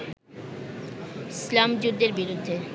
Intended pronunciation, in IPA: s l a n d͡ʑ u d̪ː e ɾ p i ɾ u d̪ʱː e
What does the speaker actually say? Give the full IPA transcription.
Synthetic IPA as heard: s l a m d͡ʑ u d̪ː e ɾ b i ɾ u d̪ʱː e